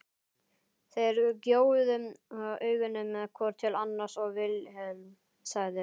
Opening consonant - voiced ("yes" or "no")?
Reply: no